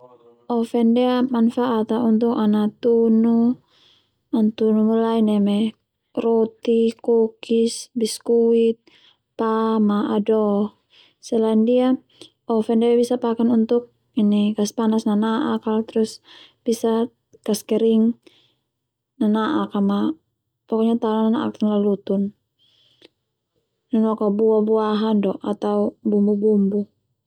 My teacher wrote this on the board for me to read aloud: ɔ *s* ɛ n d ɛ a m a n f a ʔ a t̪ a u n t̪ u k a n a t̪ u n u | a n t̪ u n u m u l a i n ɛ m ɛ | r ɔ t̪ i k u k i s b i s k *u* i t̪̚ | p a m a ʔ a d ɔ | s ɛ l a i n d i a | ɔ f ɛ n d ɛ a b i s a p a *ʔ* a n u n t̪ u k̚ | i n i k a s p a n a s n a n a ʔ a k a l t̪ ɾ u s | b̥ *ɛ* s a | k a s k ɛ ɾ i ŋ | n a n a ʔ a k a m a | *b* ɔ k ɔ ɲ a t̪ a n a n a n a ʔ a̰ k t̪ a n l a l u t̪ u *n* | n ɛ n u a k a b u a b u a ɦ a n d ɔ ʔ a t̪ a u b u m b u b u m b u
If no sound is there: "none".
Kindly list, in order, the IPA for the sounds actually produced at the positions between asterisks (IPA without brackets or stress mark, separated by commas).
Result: f, u, k, i, p, n